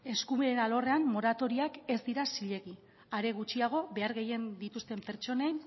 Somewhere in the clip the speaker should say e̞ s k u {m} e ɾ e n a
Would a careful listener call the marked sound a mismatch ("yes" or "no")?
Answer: no